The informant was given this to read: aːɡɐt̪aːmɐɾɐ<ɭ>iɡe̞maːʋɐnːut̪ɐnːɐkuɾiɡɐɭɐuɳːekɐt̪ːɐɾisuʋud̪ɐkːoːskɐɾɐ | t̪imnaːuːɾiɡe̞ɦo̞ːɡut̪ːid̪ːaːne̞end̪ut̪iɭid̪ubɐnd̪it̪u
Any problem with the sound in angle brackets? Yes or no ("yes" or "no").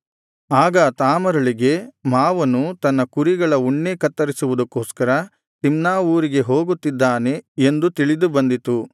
no